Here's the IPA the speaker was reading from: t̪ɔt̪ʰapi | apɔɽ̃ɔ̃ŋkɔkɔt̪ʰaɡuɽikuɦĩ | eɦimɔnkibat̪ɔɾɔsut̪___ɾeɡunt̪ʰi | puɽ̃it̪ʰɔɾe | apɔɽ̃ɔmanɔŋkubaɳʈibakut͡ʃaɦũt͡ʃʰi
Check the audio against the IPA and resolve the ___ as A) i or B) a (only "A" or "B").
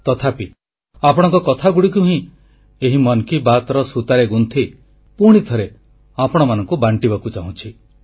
B